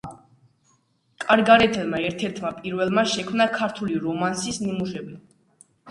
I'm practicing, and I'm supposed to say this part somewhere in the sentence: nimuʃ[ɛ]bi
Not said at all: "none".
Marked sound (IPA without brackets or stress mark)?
ɛ